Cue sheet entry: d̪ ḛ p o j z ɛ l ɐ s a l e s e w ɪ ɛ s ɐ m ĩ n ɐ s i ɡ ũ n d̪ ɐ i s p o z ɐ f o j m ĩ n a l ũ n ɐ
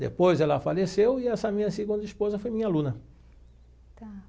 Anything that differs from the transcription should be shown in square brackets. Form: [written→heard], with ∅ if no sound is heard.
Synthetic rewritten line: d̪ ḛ p o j z ɛ l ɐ [s→f] a l e s e w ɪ ɛ s ɐ m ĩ [n→ɲ] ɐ s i ɡ ũ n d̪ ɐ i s p o z ɐ f o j m ĩ [n→ɲ] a l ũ n ɐ